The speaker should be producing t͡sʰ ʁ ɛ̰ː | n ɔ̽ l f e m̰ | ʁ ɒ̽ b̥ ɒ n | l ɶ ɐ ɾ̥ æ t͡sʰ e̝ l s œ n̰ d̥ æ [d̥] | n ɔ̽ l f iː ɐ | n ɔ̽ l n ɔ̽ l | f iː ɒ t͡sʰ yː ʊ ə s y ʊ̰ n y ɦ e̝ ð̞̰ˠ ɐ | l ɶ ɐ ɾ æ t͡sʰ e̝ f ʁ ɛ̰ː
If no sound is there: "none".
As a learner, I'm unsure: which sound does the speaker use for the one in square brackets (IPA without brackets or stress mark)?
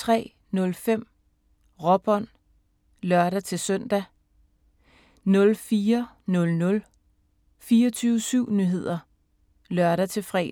none